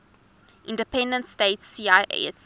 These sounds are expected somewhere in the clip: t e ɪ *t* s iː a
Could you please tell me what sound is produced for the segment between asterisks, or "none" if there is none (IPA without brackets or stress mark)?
t